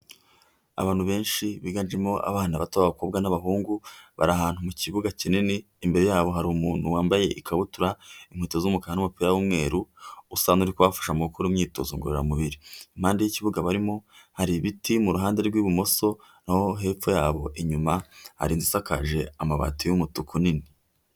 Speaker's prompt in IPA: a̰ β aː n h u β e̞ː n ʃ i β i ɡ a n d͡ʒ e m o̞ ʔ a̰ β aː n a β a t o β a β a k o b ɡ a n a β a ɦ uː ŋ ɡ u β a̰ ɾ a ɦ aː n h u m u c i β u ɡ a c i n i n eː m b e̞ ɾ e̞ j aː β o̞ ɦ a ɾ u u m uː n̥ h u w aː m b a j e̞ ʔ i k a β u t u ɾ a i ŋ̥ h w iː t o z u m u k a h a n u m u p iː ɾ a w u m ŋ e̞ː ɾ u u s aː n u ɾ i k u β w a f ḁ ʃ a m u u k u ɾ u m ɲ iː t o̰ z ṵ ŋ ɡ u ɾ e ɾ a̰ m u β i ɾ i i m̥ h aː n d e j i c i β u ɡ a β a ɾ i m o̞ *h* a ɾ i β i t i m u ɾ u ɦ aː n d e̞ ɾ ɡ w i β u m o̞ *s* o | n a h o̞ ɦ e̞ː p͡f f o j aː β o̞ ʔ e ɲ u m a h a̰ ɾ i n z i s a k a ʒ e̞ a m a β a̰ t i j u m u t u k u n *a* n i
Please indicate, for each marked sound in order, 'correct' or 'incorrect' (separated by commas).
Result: correct, correct, incorrect